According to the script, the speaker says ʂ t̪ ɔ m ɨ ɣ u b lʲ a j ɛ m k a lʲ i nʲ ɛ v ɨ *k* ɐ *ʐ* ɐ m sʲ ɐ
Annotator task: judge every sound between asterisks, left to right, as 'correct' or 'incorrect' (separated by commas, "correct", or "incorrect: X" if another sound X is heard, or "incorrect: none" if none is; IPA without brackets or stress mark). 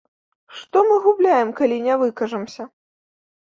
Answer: correct, correct